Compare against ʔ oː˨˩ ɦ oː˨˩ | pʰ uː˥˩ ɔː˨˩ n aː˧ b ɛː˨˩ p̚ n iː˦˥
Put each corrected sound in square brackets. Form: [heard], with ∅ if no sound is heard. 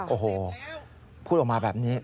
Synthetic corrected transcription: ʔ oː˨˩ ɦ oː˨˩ | pʰ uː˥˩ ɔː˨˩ [m] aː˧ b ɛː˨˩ p̚ n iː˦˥